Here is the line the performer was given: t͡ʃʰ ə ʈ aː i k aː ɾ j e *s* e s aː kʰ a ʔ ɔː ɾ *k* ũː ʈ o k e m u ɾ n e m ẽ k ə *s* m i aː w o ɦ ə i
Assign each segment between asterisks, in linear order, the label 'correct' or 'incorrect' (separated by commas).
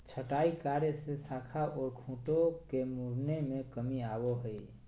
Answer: correct, incorrect, incorrect